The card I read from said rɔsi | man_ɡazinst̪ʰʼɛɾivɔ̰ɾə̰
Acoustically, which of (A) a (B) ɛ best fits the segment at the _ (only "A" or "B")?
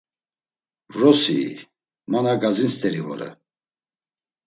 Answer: A